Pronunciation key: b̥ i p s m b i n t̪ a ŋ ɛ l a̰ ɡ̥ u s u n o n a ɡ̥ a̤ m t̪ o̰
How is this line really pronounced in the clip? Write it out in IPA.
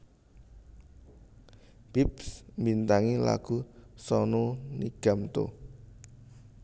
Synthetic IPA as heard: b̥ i p s m b i n t̪ a ŋ i l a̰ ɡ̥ u s ɔ n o n i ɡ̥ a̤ m t̪ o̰